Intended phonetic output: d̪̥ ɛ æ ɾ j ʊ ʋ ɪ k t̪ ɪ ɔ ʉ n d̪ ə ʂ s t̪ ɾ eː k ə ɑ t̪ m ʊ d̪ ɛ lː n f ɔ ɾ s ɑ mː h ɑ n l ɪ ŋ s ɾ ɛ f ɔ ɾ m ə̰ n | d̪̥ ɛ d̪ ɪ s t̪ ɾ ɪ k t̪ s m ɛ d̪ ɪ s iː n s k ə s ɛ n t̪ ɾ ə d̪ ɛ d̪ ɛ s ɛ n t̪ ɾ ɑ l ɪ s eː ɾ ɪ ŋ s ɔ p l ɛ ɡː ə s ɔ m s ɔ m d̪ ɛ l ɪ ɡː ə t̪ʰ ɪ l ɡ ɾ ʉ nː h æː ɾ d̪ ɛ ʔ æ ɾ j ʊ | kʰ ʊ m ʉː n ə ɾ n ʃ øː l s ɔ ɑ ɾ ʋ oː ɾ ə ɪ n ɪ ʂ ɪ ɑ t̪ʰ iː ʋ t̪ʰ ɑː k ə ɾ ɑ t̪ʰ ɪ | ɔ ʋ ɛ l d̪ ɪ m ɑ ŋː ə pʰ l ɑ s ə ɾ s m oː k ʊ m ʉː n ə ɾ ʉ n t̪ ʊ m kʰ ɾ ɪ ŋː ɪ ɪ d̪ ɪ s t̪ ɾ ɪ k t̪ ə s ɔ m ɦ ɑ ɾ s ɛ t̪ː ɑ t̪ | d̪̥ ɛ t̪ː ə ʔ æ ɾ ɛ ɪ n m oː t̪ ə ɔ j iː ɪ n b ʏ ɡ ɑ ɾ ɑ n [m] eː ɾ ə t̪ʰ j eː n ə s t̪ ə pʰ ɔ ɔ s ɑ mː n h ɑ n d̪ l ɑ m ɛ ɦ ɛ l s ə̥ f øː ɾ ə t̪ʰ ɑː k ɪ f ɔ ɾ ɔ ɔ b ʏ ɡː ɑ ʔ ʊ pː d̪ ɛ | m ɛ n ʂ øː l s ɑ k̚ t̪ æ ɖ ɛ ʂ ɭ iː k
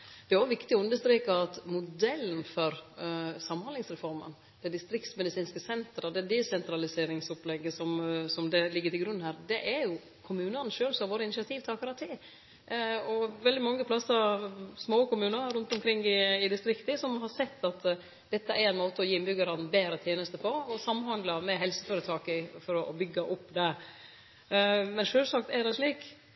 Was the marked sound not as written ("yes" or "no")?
yes